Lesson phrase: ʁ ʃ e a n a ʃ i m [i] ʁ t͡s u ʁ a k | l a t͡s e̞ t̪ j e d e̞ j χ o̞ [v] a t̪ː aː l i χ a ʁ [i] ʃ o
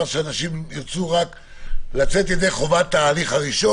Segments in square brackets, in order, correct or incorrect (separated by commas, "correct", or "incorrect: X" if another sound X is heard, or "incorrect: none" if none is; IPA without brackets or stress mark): correct, correct, correct